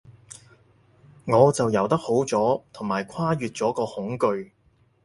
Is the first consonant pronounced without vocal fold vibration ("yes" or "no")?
no